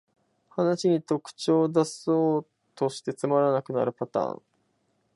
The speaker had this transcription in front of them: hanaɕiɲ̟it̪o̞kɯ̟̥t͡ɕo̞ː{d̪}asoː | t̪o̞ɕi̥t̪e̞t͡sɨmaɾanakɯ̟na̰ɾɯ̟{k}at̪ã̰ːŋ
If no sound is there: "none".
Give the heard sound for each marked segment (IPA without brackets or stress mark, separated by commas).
d̪, p